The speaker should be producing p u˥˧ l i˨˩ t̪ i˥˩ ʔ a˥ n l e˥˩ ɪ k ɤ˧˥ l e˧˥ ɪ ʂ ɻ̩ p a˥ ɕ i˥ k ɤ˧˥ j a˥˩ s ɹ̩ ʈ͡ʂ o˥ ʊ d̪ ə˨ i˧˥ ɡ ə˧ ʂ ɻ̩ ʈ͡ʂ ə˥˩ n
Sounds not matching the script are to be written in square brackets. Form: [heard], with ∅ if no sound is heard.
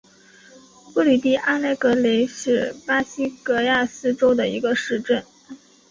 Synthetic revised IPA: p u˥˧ l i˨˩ t̪ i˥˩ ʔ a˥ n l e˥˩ ɪ k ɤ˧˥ l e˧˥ ɪ ʂ ɻ̩ p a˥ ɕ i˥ k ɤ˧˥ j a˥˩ s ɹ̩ ʈ͡ʂ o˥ ʊ d̪ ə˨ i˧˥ ɡ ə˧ ʂ ɻ̩ ʈ͡ʂ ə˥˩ n